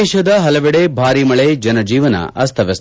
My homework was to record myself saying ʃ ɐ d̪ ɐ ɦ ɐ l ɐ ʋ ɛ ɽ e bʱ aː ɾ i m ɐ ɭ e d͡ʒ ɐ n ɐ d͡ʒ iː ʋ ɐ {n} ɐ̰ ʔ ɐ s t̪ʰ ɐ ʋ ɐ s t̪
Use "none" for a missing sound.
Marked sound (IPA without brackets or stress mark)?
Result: n